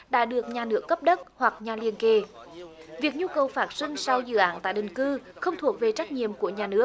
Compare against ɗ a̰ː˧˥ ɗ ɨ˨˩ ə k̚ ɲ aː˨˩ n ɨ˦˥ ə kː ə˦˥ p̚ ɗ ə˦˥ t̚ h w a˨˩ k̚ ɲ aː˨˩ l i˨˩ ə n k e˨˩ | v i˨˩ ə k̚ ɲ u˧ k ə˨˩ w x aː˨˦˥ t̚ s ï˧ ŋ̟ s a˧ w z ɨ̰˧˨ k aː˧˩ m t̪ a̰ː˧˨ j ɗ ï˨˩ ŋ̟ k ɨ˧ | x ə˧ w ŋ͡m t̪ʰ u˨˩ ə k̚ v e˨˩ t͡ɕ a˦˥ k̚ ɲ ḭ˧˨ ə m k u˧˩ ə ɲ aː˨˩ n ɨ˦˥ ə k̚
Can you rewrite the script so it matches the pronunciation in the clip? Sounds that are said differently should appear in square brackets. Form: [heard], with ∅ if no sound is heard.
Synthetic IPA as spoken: ɗ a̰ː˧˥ ɗ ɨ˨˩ ə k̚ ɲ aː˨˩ n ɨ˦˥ ə kː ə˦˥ p̚ ɗ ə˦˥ t̚ h w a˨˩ k̚ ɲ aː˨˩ l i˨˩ ə n k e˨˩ | v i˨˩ ə k̚ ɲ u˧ k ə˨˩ w [f] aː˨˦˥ t̚ s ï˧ ŋ̟ s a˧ w z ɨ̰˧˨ [ʔ] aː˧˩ [n] t̪ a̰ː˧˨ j ɗ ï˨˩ ŋ̟ k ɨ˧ | x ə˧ w ŋ͡m t̪ʰ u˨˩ ə k̚ v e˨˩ t͡ɕ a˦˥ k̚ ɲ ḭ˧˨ ə m k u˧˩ ə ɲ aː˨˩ n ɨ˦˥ ə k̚